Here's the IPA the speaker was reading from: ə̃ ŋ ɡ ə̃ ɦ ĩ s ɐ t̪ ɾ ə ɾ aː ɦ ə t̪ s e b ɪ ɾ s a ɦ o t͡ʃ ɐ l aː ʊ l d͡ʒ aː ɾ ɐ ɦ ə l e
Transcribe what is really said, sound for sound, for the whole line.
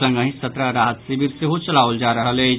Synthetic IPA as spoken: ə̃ ŋ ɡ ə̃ ɦ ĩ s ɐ t̪ ɾ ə ɾ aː ɦ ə t̪ s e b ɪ ɾ s e ɦ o t͡ʃ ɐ l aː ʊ l d͡ʒ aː ɾ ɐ ɦ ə l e